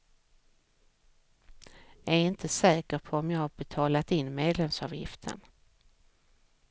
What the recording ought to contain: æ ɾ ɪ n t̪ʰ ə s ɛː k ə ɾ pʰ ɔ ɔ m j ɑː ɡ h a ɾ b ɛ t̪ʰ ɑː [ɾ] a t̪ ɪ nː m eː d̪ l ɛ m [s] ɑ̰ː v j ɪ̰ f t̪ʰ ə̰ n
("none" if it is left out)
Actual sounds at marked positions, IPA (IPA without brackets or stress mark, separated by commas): l, s